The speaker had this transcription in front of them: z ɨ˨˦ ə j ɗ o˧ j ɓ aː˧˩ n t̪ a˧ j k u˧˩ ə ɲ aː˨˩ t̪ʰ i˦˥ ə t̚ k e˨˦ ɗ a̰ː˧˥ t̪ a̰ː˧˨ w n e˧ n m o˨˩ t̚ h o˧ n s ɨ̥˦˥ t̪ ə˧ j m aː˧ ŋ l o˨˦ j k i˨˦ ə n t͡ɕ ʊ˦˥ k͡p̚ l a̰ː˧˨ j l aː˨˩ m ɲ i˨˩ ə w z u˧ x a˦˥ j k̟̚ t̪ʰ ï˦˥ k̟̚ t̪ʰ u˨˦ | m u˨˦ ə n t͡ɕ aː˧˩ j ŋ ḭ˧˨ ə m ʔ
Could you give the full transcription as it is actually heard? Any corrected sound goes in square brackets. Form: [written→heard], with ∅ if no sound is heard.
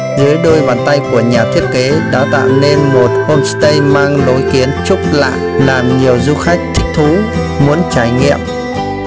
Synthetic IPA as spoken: z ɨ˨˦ ə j ɗ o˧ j ɓ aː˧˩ n t̪ a˧ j k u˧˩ ə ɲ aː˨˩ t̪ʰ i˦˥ ə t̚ k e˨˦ ɗ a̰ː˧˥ t̪ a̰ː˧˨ w n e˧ n m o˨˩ t̚ h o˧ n s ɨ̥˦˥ t̪ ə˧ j m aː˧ ŋ l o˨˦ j k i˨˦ ə n t͡ɕ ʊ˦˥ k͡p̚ l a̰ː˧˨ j l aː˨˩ m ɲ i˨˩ ə w z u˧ x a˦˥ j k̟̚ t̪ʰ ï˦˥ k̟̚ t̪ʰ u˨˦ | m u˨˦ ə n t͡ɕ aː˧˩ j ŋ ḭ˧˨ ə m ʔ